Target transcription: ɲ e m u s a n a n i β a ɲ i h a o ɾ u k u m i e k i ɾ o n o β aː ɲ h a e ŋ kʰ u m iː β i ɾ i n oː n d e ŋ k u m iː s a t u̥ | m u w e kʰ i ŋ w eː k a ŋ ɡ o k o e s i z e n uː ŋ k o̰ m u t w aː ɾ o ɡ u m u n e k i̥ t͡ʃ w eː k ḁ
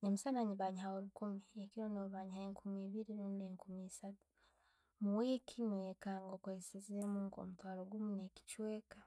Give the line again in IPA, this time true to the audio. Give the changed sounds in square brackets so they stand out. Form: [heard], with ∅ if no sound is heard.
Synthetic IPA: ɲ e m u s a n a [ɲ] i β a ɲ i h a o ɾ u k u m i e k i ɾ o n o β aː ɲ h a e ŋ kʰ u m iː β i ɾ i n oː n d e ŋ k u m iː s a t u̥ | m u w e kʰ i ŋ w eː k a ŋ ɡ o k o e s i z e [m] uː ŋ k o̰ m u t w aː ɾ o ɡ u m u n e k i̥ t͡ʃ w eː k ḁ